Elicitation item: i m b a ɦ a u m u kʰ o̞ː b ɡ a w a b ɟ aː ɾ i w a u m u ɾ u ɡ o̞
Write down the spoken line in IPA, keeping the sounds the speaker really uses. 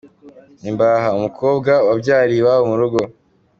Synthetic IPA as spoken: i m b a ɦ a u m u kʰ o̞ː b ɡ a w a b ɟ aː ɾ i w a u m u ɾ u ɡ o̞